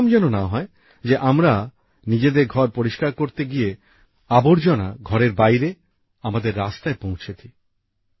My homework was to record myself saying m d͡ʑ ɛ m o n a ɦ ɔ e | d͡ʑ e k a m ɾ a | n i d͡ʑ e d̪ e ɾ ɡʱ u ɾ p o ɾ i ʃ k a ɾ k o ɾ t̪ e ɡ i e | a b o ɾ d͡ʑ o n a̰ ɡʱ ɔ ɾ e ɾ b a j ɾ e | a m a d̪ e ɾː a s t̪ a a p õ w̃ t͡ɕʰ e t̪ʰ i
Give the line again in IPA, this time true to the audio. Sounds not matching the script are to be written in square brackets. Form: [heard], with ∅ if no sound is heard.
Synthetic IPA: m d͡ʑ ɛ [n] o n a ɦ ɔ e | d͡ʑ e [ʔ] a m ɾ a | n i d͡ʑ e d̪ e ɾ ɡʱ [ɔ] ɾ p o ɾ i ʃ k a ɾ k o ɾ t̪ e ɡ i e | a b o ɾ d͡ʑ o n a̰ ɡʱ ɔ ɾ e ɾ b a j ɾ e | a m a d̪ e ɾː a s t̪ a [e] p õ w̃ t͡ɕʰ e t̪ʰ i